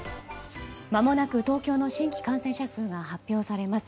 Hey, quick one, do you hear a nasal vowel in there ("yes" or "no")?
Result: yes